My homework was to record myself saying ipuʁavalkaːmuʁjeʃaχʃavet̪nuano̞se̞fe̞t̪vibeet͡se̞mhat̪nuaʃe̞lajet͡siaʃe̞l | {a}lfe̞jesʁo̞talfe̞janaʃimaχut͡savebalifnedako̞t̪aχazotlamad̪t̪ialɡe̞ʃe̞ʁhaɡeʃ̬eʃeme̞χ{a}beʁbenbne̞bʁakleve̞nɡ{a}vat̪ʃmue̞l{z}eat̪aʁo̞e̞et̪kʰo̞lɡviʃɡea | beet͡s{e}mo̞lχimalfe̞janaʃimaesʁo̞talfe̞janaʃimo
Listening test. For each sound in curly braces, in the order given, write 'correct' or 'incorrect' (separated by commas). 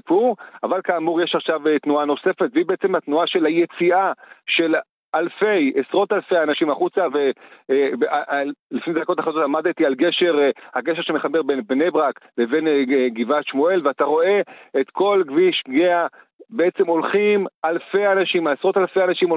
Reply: correct, correct, incorrect, incorrect, correct